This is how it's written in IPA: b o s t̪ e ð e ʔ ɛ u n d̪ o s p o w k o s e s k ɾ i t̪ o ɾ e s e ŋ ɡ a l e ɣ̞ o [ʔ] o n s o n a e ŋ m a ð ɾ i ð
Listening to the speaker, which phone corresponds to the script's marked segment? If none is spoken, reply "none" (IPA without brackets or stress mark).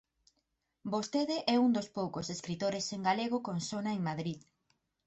k